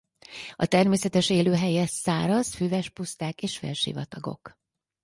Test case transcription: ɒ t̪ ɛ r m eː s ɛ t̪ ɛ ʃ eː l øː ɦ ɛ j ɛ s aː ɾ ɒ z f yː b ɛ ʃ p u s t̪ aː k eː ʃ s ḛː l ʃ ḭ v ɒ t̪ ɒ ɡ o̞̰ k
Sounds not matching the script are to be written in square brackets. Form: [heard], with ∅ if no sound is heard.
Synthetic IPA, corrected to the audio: ɒ t̪ ɛ r m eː s ɛ t̪ ɛ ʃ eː l øː ɦ ɛ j ɛ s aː ɾ ɒ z f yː [v] ɛ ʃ p u s t̪ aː k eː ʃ [f] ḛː l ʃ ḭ v ɒ t̪ ɒ ɡ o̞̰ k